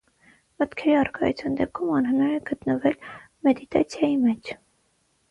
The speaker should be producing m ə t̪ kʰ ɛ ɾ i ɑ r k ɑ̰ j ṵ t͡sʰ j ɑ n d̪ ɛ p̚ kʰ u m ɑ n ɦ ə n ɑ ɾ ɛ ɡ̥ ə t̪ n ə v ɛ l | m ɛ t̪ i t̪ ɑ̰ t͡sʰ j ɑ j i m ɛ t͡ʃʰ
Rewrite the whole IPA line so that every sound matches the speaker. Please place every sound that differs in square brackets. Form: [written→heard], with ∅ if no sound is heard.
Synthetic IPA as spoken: m ə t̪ kʰ ɛ ɾ i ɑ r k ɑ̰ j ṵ t͡sʰ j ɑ n d̪ ɛ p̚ kʰ u m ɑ n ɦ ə n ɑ ɾ ɛ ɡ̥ ə t̪ n ə v ɛ l | m ɛ [t̪→d̪] i t̪ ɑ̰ t͡sʰ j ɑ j i m ɛ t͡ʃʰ